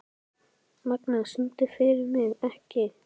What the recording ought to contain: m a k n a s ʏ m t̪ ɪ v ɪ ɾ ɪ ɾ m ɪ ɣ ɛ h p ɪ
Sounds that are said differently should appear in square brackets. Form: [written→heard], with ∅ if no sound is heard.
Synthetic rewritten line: m a k n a s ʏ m t̪ ɪ [v→f] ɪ ɾ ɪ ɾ m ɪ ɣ ɛ h [p→c] ɪ